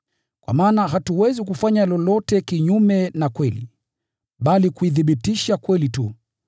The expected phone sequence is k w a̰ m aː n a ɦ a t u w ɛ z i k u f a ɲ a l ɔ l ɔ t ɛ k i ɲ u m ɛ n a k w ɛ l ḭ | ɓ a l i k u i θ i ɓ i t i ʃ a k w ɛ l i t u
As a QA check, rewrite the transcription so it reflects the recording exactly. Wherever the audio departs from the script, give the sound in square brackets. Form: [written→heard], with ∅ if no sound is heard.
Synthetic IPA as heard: k w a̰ m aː n a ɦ a t u w ɛ z i k u f a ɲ a l ɔ l ɔ t ɛ k i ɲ u m ɛ n a k w ɛ l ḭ | ɓ a l i k u i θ i ɓ i t i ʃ a k w ɛ l i t u